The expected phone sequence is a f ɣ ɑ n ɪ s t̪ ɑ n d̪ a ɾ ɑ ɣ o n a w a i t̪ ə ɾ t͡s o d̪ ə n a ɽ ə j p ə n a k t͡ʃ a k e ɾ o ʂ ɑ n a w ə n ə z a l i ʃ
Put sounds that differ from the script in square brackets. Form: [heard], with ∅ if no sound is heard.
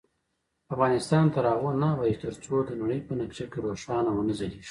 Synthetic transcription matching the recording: a f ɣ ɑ n ɪ s t̪ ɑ n [t̪] a ɾ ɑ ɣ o n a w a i t̪ ə ɾ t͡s o d̪ ə n a ɽ ə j p ə n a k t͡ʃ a k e ɾ o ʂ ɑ n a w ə n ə z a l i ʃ